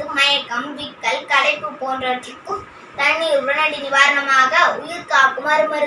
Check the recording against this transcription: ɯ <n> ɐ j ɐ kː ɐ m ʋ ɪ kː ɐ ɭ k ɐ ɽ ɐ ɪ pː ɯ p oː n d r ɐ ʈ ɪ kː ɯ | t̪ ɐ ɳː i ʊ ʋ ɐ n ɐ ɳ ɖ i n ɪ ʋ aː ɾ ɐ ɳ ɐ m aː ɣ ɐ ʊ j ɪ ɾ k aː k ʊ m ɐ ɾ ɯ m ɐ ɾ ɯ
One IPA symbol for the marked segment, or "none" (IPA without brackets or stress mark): m